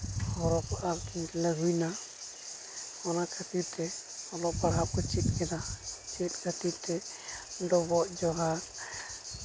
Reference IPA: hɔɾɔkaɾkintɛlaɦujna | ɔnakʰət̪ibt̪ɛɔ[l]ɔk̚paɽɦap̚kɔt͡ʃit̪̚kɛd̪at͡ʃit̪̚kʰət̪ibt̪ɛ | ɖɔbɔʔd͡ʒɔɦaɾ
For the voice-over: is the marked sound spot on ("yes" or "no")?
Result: yes